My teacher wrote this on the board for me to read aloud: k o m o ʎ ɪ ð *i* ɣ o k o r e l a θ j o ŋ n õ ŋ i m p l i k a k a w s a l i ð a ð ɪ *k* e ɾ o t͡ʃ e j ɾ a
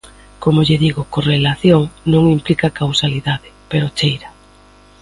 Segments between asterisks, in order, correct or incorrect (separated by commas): correct, incorrect